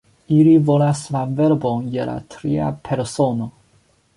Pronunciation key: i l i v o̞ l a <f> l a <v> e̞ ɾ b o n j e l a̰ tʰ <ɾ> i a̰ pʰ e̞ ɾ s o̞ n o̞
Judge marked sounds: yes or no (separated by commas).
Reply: no, yes, yes